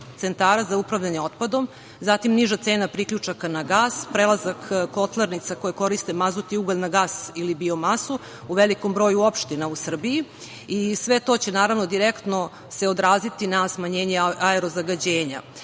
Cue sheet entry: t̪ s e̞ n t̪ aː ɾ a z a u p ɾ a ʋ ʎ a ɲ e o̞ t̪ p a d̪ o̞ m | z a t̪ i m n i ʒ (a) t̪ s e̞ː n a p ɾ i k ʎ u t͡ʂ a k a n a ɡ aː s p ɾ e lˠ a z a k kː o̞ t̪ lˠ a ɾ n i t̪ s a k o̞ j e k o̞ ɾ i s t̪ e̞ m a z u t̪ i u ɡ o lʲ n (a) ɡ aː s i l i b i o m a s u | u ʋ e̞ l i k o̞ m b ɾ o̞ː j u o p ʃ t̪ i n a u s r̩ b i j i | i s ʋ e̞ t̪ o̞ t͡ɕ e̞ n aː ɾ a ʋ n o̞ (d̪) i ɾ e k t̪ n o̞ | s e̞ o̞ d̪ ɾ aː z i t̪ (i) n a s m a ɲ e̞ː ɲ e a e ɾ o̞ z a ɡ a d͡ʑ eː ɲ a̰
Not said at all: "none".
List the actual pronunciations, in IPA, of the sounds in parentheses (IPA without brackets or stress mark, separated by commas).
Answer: a, a, d̪, i